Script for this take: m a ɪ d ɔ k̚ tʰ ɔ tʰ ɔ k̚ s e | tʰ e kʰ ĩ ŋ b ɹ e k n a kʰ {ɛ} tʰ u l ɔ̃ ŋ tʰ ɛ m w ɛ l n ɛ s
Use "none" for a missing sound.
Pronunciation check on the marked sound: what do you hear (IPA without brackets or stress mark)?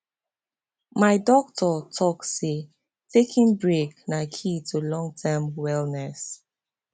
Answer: i